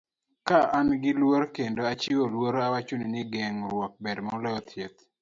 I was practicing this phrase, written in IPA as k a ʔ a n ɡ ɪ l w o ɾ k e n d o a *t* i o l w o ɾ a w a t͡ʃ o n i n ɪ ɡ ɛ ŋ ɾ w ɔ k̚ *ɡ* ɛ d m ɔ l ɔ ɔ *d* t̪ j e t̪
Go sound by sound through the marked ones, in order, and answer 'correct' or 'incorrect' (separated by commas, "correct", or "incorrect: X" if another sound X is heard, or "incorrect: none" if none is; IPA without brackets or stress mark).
incorrect: t͡ʃ, incorrect: b, incorrect: none